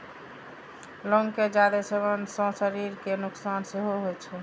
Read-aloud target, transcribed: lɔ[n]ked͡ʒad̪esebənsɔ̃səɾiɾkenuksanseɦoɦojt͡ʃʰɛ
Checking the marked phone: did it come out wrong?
yes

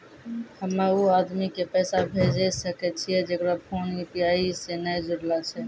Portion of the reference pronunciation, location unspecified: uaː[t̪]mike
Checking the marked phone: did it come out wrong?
yes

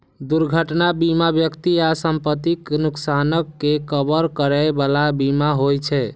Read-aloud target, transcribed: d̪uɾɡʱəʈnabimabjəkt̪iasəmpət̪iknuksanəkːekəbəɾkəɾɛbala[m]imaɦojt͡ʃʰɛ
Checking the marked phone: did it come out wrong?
yes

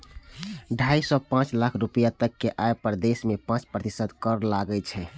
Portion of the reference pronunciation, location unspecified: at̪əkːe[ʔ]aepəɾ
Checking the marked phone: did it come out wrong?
no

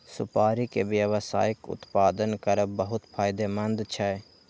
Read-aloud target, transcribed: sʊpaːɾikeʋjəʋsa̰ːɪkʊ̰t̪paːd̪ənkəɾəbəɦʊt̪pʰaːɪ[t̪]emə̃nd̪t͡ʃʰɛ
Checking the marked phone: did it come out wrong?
yes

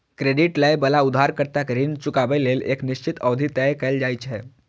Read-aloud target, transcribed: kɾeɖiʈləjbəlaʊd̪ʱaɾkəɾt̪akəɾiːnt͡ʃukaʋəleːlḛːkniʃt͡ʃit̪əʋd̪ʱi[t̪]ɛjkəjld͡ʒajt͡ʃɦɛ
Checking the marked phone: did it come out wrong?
no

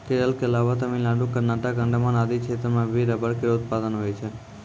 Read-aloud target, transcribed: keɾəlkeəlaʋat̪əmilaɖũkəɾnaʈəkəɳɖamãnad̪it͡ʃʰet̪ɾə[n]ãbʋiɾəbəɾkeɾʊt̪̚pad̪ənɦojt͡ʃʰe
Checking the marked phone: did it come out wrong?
yes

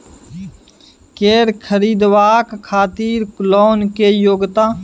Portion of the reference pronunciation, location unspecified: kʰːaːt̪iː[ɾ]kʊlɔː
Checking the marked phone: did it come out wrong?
no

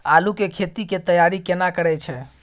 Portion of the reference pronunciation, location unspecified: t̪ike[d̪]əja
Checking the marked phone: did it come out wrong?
yes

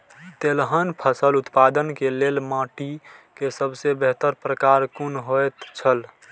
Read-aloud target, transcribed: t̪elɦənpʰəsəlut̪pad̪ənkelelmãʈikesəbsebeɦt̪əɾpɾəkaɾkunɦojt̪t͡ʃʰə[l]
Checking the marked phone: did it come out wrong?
no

